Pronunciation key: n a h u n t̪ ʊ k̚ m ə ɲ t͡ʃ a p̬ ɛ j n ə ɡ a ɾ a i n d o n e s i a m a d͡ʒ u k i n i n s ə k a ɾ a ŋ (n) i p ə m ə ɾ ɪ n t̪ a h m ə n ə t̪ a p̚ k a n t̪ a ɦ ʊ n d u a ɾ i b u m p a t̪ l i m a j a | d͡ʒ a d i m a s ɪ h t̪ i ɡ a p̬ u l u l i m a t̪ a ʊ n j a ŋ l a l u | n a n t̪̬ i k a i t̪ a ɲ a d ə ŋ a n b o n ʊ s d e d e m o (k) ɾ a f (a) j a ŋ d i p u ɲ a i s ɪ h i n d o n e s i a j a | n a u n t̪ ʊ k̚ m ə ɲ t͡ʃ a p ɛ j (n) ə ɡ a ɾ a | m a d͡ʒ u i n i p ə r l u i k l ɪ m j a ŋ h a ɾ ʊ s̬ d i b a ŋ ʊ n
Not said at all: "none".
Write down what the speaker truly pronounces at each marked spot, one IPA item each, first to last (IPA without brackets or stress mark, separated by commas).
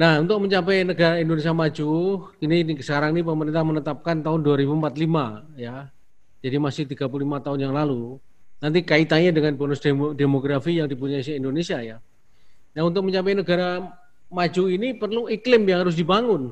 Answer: n, ɡ, i, n